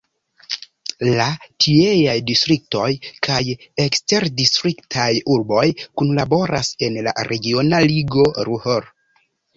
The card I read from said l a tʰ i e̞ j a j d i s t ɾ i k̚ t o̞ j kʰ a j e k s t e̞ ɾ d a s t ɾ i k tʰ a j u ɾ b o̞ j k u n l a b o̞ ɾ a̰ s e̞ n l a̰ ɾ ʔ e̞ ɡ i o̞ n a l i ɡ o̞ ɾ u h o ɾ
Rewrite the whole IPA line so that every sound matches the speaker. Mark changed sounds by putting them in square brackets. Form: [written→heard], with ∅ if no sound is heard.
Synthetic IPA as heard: l a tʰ i e̞ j a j d i s t ɾ i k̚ t o̞ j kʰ a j e k s t e̞ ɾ d [a→i] s t ɾ i k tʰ a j u ɾ b o̞ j k u n l a b o̞ ɾ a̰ s e̞ n l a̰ ɾ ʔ e̞ ɡ i o̞ n a l i ɡ o̞ ɾ u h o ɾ